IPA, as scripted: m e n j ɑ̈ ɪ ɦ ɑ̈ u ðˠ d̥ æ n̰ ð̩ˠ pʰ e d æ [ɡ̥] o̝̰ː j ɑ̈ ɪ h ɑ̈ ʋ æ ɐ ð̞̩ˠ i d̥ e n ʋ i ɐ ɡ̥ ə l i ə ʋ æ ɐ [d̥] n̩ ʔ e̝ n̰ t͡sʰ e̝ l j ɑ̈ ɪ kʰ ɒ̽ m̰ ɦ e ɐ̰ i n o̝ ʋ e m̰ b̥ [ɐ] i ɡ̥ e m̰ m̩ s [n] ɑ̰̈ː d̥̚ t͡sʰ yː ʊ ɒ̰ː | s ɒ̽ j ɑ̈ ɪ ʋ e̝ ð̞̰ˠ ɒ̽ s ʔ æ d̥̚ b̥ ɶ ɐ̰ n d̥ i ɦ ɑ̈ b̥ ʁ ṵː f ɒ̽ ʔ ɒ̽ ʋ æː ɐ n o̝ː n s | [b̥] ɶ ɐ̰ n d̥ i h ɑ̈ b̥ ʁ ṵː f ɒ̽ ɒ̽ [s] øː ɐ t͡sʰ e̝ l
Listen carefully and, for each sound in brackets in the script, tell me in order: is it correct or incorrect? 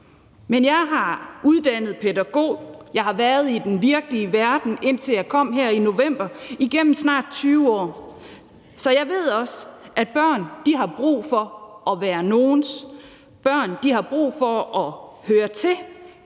correct, correct, correct, correct, correct, incorrect: h

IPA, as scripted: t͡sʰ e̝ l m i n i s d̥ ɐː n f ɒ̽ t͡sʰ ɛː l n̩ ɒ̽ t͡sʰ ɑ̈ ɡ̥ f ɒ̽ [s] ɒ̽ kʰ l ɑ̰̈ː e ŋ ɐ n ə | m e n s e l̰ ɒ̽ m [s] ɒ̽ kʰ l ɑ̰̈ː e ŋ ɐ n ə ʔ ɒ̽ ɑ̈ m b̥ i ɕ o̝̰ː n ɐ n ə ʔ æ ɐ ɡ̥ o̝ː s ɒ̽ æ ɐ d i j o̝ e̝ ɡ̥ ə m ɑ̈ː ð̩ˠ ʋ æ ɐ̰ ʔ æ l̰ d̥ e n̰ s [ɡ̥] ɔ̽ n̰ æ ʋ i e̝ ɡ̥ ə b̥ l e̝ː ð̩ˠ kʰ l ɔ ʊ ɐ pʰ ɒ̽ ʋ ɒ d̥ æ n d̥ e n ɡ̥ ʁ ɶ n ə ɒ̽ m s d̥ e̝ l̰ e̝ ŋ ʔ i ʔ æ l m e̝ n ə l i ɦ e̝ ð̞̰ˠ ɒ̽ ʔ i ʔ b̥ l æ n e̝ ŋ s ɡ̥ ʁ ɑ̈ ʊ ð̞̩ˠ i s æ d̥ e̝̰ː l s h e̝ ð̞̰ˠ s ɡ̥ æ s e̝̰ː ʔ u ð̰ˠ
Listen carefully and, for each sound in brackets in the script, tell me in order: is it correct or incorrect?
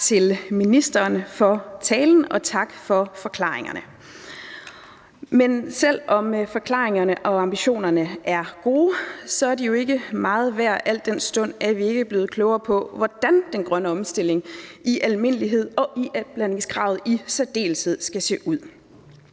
incorrect: f, incorrect: f, incorrect: d̥

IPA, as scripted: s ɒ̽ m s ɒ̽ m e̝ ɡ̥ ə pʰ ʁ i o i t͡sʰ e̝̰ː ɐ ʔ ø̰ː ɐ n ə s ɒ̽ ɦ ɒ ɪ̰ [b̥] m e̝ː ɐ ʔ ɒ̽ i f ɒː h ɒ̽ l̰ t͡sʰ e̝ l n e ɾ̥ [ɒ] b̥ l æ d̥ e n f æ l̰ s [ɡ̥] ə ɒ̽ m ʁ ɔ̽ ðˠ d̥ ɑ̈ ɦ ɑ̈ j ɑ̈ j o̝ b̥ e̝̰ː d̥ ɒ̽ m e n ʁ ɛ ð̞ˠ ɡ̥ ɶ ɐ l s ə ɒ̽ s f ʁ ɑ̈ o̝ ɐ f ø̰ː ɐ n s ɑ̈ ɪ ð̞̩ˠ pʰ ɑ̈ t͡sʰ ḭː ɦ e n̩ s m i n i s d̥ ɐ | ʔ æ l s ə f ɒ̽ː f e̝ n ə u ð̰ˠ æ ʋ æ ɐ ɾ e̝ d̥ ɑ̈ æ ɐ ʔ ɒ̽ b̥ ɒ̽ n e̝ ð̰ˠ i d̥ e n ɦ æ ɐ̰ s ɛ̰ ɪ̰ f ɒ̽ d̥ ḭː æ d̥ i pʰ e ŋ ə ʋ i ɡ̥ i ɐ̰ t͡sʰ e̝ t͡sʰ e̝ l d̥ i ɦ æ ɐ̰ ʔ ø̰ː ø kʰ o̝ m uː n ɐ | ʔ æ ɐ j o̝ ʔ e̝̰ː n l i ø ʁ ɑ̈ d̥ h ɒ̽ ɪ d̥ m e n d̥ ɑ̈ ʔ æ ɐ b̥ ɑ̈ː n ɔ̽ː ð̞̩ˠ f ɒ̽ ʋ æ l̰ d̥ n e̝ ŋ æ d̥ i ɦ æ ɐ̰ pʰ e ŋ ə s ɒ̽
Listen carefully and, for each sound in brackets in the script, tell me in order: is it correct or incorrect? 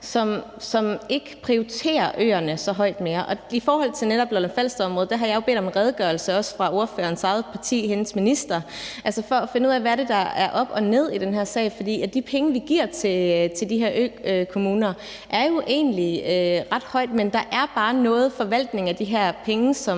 incorrect: d̥, correct, incorrect: d̥

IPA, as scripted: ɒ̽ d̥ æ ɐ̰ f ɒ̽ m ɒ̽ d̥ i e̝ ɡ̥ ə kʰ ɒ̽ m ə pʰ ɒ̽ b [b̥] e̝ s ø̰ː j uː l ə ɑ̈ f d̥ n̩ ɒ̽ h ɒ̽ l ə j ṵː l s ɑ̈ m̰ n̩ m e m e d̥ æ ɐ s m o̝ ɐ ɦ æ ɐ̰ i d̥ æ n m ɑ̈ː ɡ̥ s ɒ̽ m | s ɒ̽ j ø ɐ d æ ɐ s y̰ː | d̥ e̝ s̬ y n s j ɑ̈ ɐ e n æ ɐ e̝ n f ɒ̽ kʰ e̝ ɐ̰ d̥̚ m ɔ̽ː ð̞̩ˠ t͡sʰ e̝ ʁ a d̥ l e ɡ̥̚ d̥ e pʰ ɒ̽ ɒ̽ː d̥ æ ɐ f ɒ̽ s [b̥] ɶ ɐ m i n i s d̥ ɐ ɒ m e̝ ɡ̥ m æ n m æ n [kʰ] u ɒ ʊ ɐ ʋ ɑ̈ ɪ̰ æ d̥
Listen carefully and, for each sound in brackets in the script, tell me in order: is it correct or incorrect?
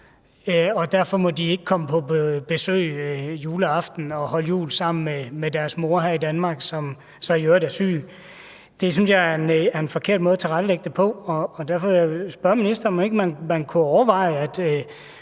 correct, correct, correct

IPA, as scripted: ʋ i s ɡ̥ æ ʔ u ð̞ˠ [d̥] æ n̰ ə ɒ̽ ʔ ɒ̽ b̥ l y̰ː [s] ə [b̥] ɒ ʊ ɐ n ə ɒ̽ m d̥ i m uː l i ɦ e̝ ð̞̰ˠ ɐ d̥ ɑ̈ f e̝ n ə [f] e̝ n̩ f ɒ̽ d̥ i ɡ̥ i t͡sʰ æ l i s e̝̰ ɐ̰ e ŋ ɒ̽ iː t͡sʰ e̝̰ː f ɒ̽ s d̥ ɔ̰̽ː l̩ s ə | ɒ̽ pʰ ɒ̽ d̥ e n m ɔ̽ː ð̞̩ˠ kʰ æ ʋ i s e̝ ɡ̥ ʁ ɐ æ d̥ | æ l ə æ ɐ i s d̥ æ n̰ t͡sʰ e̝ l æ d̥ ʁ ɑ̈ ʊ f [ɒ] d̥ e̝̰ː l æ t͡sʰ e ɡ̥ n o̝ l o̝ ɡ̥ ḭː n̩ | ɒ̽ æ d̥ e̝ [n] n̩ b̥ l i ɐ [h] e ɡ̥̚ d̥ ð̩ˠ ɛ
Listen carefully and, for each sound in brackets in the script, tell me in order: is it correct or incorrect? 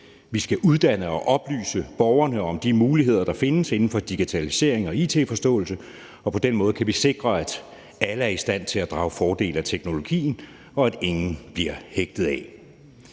correct, correct, correct, incorrect: s, incorrect: ɒː, incorrect: ŋ, correct

